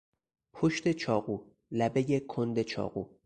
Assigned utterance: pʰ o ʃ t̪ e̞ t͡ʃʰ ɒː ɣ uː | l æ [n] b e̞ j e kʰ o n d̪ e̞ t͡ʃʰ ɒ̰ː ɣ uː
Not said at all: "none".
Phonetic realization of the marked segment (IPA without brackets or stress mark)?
none